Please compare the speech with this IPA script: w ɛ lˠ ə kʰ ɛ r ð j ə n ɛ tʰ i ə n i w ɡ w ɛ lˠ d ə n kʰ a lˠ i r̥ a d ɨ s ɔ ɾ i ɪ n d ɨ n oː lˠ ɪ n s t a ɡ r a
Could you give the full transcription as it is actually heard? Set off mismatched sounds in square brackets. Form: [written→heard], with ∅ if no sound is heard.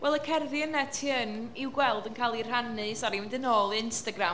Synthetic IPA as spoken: w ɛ lˠ ə kʰ ɛ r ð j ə n ɛ tʰ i ə n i w ɡ w ɛ lˠ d ə n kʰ a lˠ i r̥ a [d→n] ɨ s ɔ ɾ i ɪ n d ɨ n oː lˠ ɪ n s t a ɡ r a